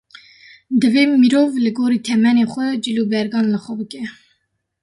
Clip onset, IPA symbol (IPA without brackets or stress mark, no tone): d̪